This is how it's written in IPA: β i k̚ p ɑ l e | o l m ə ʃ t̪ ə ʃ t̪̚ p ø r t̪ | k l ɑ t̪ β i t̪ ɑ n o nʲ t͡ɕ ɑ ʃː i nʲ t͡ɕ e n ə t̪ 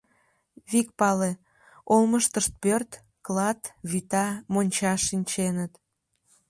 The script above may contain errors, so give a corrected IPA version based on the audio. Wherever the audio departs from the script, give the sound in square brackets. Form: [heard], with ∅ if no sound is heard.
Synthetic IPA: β i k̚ p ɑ l e | o l m ə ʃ t̪ ə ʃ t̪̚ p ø r t̪ | k l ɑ t̪ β i t̪ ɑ [m] o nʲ t͡ɕ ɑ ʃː i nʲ t͡ɕ e n ə t̪